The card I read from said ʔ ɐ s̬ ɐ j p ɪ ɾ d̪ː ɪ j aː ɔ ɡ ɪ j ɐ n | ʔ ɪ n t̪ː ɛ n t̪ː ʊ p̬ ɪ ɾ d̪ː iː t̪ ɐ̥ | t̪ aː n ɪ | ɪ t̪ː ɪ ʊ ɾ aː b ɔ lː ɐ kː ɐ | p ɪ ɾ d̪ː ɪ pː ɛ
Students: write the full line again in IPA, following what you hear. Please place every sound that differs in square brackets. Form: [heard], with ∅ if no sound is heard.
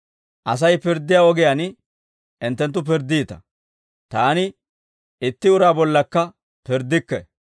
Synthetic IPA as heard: ʔ ɐ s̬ ɐ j p ɪ ɾ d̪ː ɪ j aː ɔ ɡ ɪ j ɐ n | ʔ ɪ n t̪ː ɛ n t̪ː ʊ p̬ ɪ ɾ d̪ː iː t̪ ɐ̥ | t̪ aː n ɪ | ɪ t̪ː ɪ ʊ ɾ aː b ɔ lː ɐ kː ɐ | p ɪ ɾ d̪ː ɪ [kː] ɛ

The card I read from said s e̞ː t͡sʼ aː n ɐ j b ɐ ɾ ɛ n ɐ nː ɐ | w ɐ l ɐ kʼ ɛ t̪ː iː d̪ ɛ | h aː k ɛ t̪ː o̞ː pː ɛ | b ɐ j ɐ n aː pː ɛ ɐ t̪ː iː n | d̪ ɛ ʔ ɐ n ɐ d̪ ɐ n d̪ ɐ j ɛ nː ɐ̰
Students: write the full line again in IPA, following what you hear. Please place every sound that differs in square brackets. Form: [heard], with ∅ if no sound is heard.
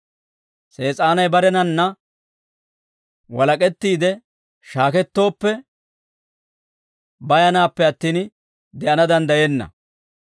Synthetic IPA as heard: s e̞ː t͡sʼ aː n ɐ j b ɐ ɾ ɛ n ɐ nː ɐ | w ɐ l ɐ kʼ ɛ t̪ː iː d̪ ɛ | [ʃ] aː k ɛ t̪ː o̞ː pː ɛ | b ɐ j ɐ n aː pː ɛ ɐ t̪ː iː n | d̪ ɛ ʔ ɐ n ɐ d̪ ɐ n d̪ ɐ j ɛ nː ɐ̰

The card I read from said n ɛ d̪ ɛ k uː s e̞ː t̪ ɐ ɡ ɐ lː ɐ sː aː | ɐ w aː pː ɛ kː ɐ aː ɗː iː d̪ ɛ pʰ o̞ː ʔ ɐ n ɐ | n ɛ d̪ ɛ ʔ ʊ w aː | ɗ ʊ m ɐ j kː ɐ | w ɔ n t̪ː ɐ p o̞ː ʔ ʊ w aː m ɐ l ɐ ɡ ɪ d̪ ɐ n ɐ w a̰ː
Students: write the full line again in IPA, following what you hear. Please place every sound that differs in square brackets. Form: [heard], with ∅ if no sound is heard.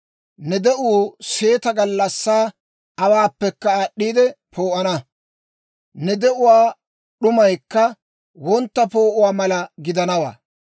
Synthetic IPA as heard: n ɛ d̪ ɛ [ʔ] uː s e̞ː t̪ ɐ ɡ ɐ lː ɐ sː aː | ɐ w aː pː ɛ kː ɐ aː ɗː iː d̪ ɛ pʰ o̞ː ʔ ɐ n ɐ | n ɛ d̪ ɛ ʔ ʊ w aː | ɗ ʊ m ɐ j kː ɐ | w ɔ n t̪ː ɐ p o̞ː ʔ ʊ w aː m ɐ l ɐ ɡ ɪ d̪ ɐ n ɐ w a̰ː

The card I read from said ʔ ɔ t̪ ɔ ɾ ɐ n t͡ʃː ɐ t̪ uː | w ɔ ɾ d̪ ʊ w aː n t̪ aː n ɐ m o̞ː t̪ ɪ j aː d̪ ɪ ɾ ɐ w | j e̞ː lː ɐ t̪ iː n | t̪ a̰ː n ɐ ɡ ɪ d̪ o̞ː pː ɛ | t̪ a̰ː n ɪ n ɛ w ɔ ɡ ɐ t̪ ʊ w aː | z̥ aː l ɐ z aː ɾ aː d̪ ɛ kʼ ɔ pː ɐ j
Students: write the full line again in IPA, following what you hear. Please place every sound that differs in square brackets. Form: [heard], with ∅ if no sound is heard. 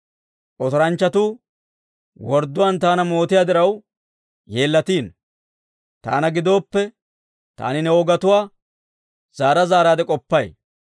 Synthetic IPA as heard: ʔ ɔ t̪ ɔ ɾ ɐ n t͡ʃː ɐ t̪ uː | w ɔ ɾ d̪ ʊ w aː n t̪ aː n ɐ m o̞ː t̪ ɪ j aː d̪ ɪ ɾ ɐ w | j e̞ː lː ɐ t̪ iː n | t̪ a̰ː n ɐ ɡ ɪ d̪ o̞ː pː ɛ | t̪ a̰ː n ɪ n ɛ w ɔ ɡ ɐ t̪ ʊ w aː | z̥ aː [ɾ] ɐ z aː ɾ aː d̪ ɛ kʼ ɔ pː ɐ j

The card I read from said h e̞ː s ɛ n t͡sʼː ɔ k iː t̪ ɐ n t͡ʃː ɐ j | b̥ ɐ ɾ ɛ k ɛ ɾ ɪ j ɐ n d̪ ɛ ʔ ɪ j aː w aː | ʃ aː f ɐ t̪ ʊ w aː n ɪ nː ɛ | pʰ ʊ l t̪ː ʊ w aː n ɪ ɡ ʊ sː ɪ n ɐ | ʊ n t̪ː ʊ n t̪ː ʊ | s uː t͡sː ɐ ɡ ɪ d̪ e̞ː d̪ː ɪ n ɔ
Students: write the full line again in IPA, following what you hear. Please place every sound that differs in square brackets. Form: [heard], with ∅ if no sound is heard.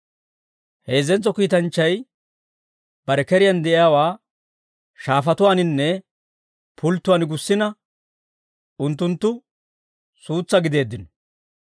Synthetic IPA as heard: h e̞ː [z] ɛ n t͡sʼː ɔ k iː t̪ ɐ n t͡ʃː ɐ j | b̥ ɐ ɾ ɛ k ɛ ɾ ɪ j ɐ n d̪ ɛ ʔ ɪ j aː w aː | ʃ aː f ɐ t̪ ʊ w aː n ɪ nː ɛ | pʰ ʊ l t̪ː ʊ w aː n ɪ ɡ ʊ sː ɪ n ɐ | ʊ n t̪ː ʊ n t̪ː ʊ | s uː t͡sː ɐ ɡ ɪ d̪ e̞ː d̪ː ɪ n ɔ

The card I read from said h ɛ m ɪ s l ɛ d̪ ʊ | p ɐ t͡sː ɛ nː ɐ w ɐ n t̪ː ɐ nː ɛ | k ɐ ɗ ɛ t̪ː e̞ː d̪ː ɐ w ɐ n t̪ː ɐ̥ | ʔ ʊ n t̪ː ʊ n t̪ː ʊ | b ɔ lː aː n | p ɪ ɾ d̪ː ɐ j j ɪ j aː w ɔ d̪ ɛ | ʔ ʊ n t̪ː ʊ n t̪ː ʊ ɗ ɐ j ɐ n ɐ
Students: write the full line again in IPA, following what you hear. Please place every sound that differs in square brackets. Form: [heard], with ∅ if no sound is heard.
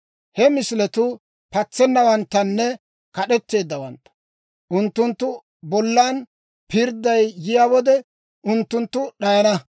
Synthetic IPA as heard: h ɛ m ɪ s l ɛ [t̪] ʊ | p ɐ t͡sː ɛ nː ɐ w ɐ n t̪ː ɐ nː ɛ | k ɐ ɗ ɛ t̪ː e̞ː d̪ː ɐ w ɐ n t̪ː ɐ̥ | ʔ ʊ n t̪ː ʊ n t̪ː ʊ | b ɔ lː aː n | p ɪ ɾ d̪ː ɐ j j ɪ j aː w ɔ d̪ ɛ | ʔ ʊ n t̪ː ʊ n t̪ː ʊ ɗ ɐ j ɐ n ɐ

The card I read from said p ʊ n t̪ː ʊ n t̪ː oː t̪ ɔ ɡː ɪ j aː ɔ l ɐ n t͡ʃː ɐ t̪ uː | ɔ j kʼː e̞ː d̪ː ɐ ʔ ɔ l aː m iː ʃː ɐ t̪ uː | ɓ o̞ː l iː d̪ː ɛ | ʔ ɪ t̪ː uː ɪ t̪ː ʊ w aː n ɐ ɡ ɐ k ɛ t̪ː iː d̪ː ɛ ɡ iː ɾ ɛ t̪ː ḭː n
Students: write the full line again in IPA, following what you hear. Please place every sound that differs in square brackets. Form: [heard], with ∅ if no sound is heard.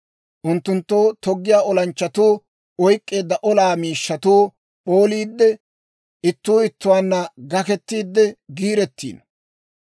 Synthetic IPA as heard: [ʔ] ʊ n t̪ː ʊ n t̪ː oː t̪ ɔ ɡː ɪ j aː ɔ l ɐ n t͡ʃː ɐ t̪ uː | ɔ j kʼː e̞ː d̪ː ɐ ʔ ɔ l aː m iː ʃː ɐ t̪ uː | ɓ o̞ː l iː d̪ː ɛ | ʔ ɪ t̪ː uː ɪ t̪ː ʊ w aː [nː] ɐ ɡ ɐ k ɛ t̪ː iː d̪ː ɛ ɡ iː ɾ ɛ t̪ː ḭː n

